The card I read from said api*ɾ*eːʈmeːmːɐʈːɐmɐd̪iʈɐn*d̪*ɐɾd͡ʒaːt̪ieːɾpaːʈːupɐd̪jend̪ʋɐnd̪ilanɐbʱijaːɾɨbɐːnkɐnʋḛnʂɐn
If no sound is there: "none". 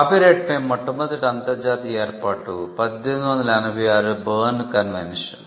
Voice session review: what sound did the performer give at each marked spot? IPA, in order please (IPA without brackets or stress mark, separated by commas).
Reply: ɾ, t̪